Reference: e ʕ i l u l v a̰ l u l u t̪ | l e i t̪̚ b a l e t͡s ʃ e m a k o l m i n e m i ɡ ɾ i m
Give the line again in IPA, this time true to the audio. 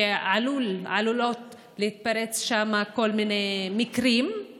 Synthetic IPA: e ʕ a l u l ʕ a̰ l u l o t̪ | l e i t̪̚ p a ɾ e t͡s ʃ a m a k o l m i n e m i k ɾ i m